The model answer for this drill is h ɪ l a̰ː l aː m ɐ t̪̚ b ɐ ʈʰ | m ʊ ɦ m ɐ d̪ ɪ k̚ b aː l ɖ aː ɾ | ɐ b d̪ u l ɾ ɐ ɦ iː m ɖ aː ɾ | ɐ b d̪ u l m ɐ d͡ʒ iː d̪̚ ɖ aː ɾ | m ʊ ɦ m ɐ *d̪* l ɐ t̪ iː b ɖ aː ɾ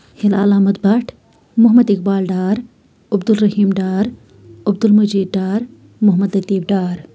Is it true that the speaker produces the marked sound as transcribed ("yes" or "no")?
yes